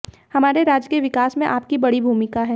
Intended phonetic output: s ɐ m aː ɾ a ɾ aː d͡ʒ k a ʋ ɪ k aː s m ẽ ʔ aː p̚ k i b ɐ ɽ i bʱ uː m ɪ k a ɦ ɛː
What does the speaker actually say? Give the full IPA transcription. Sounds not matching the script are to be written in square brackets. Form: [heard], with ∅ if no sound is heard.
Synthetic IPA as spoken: [h] ɐ m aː ɾ [e] ɾ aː d͡ʒ k [e] ʋ ɪ k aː s m ẽ ʔ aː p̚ k i b ɐ ɽ i bʱ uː m ɪ k a ɦ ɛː